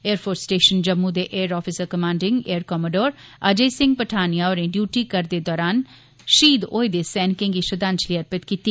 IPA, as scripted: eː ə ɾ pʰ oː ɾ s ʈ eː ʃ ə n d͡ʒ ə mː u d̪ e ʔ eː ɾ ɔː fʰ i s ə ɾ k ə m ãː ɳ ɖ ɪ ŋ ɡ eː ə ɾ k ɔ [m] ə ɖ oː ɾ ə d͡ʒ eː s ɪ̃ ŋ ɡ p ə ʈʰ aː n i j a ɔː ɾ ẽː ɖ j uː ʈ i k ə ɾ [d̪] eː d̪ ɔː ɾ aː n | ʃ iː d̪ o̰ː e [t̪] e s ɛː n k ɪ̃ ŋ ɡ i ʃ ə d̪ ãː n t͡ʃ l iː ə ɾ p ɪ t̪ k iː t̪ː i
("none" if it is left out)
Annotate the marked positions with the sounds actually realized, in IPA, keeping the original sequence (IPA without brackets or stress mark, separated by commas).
m, d̪, d̪